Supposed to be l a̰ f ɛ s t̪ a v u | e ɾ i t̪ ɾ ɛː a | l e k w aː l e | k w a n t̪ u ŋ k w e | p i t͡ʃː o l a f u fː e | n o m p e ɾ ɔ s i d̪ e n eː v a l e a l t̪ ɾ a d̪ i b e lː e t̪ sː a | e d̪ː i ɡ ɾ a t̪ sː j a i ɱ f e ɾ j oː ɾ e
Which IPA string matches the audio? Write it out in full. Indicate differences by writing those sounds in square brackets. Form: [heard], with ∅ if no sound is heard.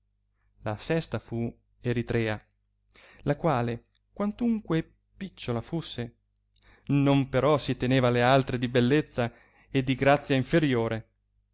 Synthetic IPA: l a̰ f ɛ s t̪ a [f] u | e ɾ i t̪ ɾ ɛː a | l [a] k w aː l e | k w a n t̪ u ŋ k w e | p i t͡ʃː o l a f u [sː] e | n o m p e ɾ ɔ s i [t̪] e n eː v a l e a l t̪ ɾ [e] d̪ i b e lː e t̪ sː a | e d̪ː i ɡ ɾ a t̪ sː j a i ɱ f e ɾ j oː ɾ e

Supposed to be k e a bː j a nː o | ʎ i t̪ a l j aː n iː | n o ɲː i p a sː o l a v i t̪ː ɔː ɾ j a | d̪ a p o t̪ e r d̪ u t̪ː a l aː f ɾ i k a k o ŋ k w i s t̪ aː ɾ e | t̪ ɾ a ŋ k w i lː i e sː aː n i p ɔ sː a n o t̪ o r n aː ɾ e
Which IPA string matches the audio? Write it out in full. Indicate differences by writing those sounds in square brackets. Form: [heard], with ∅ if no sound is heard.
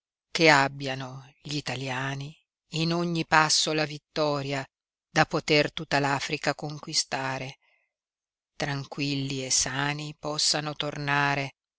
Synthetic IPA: k e a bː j a [n] o | ʎ i t̪ a l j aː n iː | n o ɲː i p a sː o l a v i t̪ː ɔː ɾ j a | d̪ a p o t̪ e r [t̪] u t̪ː a l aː f ɾ i k a k o ŋ k w i s t̪ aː ɾ e | t̪ ɾ a ŋ k w i lː i e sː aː n i p ɔ sː a n o t̪ o r n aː ɾ e

